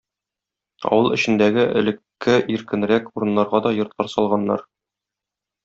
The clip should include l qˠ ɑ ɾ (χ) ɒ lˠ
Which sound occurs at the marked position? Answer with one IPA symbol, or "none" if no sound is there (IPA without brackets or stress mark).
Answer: s